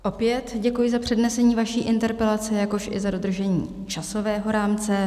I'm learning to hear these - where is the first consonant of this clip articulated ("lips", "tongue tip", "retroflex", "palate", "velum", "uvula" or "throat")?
throat